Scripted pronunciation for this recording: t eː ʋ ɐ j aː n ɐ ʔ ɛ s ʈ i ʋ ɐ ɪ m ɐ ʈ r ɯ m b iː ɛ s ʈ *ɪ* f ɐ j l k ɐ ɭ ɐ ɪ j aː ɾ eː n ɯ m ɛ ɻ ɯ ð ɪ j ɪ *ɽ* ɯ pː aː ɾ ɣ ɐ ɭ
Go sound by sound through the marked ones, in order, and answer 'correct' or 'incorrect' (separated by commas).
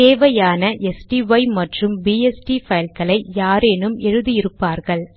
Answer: incorrect, incorrect